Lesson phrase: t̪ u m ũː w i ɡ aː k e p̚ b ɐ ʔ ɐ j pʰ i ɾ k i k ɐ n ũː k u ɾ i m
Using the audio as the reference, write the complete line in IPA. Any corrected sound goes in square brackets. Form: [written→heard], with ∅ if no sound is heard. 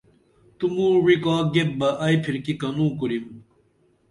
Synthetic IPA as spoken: t̪ u m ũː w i [ɡ→k] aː [k→ɡ] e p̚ b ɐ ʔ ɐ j pʰ i ɾ k i k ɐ n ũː k u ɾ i m